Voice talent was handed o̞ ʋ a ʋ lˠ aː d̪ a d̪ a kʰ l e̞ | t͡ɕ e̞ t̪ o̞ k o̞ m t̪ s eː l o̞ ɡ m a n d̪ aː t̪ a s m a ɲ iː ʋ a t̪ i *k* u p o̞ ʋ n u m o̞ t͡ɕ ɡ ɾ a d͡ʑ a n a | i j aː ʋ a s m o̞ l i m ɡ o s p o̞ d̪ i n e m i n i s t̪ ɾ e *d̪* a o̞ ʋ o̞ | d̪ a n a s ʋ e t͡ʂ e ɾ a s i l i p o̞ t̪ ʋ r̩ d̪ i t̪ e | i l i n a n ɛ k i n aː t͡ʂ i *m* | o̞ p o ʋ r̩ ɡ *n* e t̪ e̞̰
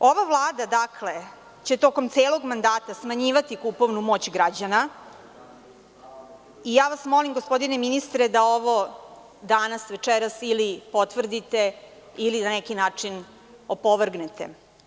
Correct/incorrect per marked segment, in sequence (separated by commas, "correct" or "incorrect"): correct, correct, incorrect, correct